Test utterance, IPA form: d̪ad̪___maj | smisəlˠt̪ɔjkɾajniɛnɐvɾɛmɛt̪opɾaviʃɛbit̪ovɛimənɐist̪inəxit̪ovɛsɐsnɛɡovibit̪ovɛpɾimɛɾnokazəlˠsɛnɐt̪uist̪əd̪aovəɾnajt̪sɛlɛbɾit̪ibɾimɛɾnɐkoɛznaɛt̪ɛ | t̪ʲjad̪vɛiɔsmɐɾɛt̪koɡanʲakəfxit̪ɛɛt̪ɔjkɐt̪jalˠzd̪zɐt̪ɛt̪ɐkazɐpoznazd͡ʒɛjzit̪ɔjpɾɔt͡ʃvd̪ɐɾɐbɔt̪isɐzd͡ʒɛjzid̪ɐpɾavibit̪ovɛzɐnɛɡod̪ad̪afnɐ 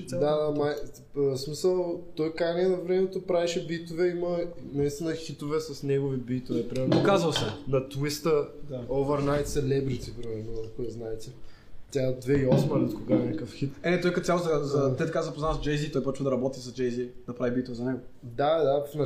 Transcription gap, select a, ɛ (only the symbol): a